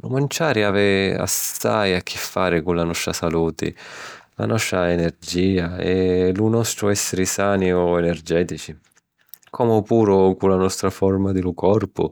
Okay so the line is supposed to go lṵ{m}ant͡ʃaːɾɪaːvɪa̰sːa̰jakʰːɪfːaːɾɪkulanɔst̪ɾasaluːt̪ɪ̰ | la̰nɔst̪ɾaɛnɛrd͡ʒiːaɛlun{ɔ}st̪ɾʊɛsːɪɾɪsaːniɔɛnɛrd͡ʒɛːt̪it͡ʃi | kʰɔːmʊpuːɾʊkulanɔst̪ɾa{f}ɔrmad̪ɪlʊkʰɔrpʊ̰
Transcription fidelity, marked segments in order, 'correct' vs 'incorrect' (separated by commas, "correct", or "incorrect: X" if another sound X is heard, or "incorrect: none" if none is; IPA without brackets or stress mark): correct, correct, correct